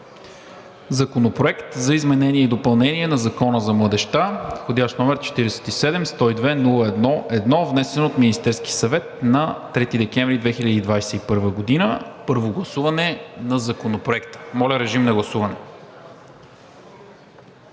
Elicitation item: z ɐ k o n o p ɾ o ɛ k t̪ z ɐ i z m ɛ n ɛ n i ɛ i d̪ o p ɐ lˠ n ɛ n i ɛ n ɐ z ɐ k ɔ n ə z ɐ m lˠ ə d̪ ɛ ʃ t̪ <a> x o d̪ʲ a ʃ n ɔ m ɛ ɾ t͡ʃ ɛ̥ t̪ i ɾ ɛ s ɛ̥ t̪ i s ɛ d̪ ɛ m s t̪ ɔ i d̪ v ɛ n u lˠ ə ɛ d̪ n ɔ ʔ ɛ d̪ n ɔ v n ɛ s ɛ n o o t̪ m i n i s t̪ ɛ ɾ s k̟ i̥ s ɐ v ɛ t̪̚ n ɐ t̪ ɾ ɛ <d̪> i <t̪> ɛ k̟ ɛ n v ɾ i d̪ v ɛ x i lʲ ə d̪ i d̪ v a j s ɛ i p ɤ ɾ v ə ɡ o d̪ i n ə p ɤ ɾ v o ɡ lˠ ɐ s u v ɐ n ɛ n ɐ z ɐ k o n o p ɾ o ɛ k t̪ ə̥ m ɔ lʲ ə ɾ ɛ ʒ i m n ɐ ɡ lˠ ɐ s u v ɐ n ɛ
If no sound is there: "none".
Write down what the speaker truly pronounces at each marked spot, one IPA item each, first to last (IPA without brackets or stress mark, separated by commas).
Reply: a, t̪, d̪